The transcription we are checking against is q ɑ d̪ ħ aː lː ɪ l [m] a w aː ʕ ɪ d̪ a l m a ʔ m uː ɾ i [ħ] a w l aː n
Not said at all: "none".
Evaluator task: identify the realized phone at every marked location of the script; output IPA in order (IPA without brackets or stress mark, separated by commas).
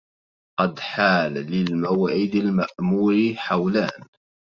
m, ħ